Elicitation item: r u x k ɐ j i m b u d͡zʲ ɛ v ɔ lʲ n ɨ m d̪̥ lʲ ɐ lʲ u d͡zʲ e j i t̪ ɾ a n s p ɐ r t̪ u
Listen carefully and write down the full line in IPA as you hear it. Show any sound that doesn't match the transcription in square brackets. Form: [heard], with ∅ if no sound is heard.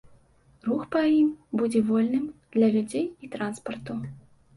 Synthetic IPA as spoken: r u x [p] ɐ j i m b u d͡zʲ ɛ v ɔ lʲ n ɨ m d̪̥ lʲ ɐ lʲ u d͡zʲ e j i t̪ ɾ a n s p ɐ r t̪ u